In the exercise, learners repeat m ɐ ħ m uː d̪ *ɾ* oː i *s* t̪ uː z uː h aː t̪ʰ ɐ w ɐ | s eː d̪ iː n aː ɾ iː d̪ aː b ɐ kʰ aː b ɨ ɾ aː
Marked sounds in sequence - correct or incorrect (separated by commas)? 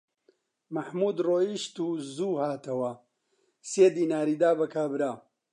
incorrect, incorrect